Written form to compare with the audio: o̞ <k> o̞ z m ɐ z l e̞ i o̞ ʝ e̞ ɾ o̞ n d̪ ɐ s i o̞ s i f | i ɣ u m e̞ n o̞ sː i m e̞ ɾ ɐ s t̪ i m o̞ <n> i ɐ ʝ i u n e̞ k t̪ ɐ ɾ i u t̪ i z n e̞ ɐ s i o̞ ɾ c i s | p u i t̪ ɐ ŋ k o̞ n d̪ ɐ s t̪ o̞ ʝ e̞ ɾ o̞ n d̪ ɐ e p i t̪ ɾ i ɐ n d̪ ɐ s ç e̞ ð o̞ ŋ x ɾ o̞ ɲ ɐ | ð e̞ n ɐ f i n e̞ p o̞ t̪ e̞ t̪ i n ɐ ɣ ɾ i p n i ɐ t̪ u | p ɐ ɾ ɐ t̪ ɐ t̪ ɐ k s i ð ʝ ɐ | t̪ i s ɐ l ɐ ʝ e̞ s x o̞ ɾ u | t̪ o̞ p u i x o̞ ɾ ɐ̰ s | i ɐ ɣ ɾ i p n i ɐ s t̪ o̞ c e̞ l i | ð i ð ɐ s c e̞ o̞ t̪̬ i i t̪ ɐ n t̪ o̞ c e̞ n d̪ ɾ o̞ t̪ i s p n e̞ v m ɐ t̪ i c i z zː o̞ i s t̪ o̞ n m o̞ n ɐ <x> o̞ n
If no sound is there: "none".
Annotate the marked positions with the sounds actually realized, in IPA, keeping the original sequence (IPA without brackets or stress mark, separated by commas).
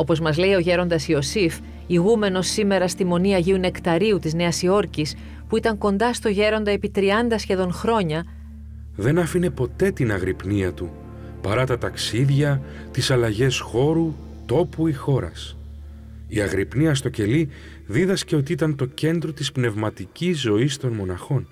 p, n, x